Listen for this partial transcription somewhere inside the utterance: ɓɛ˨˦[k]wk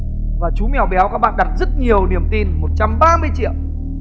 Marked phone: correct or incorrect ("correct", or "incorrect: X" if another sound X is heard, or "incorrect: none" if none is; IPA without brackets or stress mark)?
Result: incorrect: none